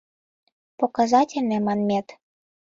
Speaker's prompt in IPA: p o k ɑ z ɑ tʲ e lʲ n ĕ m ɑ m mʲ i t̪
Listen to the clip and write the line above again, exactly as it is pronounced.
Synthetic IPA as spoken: p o k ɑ z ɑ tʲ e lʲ n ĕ m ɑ n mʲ e t̪